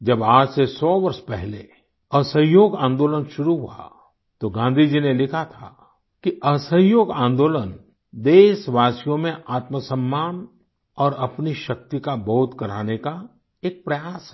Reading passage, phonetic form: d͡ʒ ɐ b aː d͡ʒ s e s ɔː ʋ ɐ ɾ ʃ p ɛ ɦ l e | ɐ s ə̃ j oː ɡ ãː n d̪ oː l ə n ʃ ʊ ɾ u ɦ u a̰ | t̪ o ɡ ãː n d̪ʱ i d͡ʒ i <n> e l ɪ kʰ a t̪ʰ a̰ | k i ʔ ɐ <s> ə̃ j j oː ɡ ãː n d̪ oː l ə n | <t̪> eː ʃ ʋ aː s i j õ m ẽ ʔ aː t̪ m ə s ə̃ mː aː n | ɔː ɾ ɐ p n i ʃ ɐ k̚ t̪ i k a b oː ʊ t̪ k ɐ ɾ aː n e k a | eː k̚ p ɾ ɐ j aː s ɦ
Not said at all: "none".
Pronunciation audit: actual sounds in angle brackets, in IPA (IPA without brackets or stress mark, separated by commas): n, s, d̪